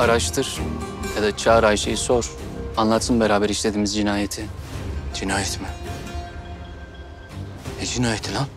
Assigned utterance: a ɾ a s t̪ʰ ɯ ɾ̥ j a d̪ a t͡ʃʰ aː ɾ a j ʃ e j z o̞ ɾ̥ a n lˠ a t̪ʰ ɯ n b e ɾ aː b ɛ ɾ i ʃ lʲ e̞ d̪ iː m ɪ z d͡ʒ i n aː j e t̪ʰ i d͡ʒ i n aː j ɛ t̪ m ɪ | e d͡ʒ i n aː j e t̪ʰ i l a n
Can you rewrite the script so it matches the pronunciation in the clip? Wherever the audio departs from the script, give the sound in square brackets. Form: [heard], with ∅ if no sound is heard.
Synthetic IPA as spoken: a ɾ a [ʃ] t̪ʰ ɯ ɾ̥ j a d̪ a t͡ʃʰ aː ɾ a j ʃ e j [s] o̞ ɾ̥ a n lˠ a t̪ʰ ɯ n b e ɾ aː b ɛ ɾ i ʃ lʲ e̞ d̪ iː m [i] z d͡ʒ i n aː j e t̪ʰ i d͡ʒ i n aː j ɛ t̪ m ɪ | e d͡ʒ i n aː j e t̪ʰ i l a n